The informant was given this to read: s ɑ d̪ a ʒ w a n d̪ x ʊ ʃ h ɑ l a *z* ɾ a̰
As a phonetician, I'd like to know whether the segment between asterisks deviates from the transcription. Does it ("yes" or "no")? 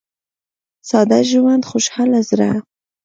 no